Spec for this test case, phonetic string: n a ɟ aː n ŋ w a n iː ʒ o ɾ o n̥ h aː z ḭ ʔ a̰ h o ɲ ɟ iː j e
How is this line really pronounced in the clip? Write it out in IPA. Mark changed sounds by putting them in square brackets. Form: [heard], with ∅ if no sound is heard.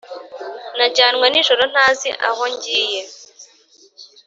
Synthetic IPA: n a ɟ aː n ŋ w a n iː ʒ o ɾ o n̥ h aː z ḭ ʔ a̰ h o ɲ ɟ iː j e